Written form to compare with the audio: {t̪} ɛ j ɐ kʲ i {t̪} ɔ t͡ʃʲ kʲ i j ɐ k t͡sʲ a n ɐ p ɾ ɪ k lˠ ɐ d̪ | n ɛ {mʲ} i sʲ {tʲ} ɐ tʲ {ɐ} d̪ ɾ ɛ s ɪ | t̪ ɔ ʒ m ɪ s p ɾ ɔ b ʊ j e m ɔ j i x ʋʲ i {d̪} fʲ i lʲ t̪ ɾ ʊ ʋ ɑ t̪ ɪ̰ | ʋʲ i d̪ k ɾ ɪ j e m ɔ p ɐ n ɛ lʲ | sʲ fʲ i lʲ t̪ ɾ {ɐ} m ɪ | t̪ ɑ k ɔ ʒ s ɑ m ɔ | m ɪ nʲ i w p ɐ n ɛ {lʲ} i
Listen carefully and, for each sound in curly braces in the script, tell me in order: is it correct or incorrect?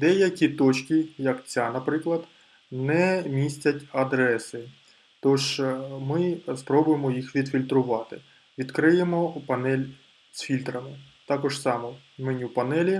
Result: incorrect: d̪, correct, correct, correct, correct, correct, correct, correct

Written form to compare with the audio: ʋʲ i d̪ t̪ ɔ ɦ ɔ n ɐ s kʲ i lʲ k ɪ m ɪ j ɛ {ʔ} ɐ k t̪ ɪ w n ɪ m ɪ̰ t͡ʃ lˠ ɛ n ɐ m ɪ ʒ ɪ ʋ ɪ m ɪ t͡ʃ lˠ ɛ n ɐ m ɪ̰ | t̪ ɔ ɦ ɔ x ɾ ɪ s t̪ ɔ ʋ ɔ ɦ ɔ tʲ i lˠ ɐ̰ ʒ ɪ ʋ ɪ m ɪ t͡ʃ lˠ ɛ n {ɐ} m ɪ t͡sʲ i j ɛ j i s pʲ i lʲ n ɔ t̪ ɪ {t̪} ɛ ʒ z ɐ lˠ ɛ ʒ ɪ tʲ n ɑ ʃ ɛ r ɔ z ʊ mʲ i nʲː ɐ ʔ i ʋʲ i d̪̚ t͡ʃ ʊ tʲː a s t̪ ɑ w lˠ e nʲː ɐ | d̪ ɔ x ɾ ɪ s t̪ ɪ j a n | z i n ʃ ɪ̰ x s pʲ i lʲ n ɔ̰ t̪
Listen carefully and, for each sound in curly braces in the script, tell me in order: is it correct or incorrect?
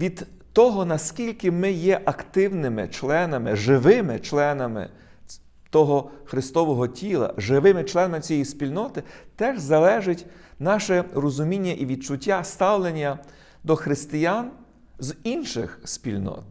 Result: correct, correct, correct

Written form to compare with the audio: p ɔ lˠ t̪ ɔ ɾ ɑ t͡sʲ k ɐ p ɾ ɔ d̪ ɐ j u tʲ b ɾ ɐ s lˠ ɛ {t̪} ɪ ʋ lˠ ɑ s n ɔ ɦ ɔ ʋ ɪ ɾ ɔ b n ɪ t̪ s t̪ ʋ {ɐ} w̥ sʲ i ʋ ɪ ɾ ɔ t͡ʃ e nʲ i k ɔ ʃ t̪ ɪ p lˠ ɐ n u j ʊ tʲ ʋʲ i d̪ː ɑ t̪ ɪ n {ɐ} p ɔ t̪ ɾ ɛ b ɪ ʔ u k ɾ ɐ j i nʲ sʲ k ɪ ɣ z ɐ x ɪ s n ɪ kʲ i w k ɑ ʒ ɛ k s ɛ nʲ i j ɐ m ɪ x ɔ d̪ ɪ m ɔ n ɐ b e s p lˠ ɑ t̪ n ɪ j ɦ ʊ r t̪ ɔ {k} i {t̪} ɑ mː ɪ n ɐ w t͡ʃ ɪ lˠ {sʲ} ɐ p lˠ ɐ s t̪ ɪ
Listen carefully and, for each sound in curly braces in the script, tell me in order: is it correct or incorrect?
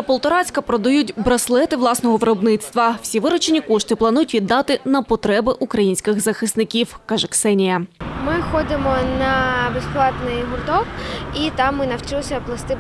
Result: correct, correct, correct, correct, correct, correct

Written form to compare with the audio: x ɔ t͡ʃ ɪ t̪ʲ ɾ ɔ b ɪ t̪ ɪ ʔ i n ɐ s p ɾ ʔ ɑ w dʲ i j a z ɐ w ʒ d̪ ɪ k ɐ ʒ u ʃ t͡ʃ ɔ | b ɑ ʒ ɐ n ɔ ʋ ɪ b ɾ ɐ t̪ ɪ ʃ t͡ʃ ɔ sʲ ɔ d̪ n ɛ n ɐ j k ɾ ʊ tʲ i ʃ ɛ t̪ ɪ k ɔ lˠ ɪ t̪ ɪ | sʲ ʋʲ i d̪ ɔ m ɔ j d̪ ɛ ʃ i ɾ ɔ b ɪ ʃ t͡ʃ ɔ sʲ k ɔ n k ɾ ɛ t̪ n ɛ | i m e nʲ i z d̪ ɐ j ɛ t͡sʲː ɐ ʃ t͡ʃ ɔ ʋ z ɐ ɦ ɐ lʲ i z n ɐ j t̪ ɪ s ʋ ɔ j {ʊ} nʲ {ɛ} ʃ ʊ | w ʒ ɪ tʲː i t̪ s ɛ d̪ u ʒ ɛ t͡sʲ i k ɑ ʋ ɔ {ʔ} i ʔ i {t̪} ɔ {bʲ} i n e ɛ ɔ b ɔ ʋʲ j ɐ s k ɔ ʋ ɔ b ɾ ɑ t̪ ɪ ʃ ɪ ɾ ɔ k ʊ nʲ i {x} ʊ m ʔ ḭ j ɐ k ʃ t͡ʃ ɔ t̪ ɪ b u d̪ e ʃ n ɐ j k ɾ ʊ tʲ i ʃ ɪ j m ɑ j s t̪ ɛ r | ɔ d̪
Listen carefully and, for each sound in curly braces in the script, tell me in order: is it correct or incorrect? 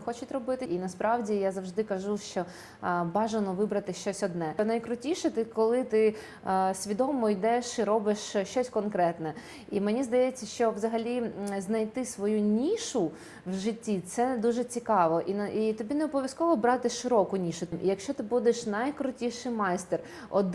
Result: incorrect: u, incorrect: i, correct, correct, correct, incorrect: ʃ

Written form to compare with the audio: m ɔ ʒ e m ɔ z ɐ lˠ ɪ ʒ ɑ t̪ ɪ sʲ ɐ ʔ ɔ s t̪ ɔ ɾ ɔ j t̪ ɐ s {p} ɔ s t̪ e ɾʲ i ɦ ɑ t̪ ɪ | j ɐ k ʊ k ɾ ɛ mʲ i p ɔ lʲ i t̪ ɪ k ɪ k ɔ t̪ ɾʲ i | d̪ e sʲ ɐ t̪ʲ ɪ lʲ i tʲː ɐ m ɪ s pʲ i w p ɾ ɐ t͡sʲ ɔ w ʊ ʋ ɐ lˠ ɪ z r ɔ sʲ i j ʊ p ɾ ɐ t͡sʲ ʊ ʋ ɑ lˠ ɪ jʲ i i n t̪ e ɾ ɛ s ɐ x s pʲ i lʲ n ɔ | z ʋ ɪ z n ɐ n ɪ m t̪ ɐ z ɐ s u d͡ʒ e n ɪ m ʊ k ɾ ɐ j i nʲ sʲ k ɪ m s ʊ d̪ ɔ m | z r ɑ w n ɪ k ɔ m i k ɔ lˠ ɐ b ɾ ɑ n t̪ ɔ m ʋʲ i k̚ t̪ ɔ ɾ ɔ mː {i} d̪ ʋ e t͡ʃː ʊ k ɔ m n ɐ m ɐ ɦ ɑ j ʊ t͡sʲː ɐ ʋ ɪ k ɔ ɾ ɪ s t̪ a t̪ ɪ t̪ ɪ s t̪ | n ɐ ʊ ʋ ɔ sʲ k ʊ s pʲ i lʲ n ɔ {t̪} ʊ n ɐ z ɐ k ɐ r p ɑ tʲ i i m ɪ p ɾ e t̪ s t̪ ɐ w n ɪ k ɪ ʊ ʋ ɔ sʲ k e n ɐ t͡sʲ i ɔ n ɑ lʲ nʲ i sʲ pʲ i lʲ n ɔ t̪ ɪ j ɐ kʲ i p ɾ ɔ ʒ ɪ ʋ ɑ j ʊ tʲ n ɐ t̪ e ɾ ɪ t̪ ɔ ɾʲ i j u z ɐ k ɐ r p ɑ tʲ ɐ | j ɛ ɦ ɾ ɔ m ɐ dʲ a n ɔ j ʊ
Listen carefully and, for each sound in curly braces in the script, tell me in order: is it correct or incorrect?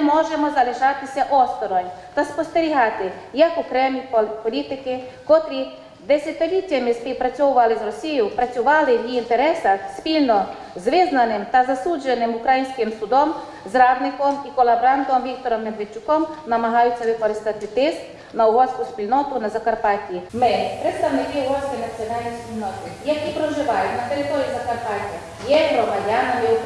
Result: correct, incorrect: e, correct

